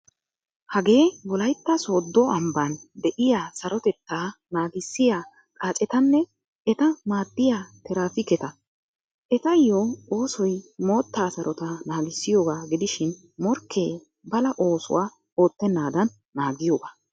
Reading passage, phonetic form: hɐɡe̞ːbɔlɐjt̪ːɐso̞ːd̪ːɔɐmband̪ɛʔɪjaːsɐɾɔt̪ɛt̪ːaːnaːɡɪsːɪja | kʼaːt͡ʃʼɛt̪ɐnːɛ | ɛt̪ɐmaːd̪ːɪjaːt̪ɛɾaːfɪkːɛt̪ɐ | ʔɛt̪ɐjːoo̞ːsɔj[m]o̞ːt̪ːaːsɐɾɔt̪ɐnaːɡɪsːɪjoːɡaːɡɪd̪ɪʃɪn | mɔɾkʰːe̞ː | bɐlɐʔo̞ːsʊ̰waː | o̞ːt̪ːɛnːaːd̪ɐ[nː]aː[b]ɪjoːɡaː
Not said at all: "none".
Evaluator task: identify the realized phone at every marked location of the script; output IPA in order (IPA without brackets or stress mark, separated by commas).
m, nː, ɡ